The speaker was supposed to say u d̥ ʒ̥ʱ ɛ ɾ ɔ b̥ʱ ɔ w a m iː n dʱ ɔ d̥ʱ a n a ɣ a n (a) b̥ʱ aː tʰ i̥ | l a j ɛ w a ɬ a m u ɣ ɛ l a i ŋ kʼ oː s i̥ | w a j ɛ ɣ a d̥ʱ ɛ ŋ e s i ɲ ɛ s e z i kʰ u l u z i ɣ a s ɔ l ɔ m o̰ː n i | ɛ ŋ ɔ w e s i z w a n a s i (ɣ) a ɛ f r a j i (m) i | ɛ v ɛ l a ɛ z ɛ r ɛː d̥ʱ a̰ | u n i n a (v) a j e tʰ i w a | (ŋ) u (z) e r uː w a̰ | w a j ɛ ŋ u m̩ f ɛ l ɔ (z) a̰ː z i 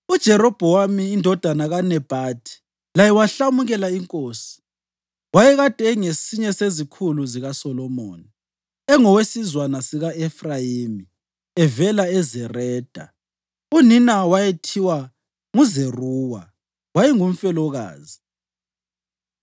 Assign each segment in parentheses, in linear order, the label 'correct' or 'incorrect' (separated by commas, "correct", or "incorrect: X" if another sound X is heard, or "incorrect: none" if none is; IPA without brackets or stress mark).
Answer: incorrect: ɛ, correct, correct, incorrect: w, correct, correct, incorrect: ɣ